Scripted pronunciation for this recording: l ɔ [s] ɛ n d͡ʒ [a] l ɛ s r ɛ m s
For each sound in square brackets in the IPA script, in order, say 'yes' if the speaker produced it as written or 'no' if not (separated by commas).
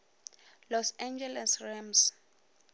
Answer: yes, no